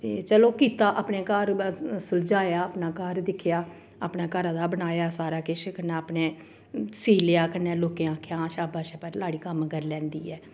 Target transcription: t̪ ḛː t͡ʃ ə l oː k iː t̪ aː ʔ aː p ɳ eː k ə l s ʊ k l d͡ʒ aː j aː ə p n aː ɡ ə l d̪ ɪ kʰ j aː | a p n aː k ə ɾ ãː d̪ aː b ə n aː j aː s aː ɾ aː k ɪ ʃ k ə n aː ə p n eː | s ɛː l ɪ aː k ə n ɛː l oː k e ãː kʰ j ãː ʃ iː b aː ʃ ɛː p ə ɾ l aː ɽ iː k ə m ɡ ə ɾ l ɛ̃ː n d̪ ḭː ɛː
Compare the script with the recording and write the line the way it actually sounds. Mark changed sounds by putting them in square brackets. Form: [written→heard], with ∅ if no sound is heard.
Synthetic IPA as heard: t̪ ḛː t͡ʃ ə l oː k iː t̪ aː ʔ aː p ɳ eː k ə [l→ɾ] s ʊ [k→∅] l d͡ʒ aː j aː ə p n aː [ɡ→k] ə [l→ɾ] d̪ ɪ kʰ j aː | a p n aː k ə ɾ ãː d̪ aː b ə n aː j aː s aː ɾ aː k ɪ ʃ k ə n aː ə p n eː | s [ɛː→iː] l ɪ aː k ə n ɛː l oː k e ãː kʰ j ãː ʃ [iː→aː] b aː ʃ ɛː p ə ɾ l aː ɽ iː k ə m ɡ ə ɾ l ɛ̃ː n d̪ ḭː ɛː